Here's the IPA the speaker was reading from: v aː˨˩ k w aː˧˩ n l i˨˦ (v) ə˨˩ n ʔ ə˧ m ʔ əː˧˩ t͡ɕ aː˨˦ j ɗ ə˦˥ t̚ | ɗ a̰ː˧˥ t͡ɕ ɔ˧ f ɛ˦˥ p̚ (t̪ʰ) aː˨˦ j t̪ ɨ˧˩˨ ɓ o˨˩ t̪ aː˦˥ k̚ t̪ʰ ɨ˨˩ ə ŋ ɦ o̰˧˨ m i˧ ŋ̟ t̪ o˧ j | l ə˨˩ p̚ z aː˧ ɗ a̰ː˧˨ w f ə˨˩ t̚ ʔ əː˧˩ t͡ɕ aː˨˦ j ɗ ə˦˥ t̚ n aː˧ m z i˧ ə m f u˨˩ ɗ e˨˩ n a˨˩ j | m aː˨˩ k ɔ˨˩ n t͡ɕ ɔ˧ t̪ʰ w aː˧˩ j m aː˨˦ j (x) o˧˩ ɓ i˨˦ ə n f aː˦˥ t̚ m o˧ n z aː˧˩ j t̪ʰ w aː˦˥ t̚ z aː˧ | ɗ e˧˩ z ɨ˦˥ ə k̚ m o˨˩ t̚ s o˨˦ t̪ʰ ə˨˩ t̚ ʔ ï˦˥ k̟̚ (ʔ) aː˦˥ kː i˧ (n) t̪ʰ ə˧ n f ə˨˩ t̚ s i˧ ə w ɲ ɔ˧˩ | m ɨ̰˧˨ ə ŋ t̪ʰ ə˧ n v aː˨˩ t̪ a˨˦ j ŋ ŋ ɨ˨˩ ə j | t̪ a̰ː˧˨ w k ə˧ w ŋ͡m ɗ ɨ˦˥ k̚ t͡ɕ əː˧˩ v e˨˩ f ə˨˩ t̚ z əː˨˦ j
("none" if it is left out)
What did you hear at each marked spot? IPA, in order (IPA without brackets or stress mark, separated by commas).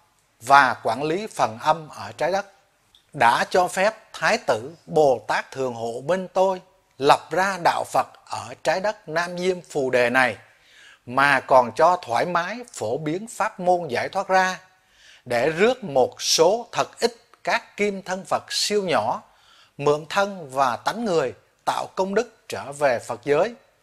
f, t̪ʰ, f, k, m